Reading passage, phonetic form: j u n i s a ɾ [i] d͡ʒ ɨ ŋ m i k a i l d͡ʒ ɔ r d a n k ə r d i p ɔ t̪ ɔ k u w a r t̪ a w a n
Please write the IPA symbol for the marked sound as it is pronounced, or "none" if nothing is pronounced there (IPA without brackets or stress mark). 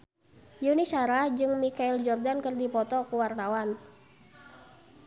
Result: a